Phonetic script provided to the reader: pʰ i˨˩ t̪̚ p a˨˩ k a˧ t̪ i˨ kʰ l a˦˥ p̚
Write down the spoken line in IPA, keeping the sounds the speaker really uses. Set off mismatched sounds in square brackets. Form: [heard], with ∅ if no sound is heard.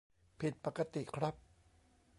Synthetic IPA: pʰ i˨˩ t̪̚ p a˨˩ k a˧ t̪ i˨ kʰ [ɾ] a˦˥ p̚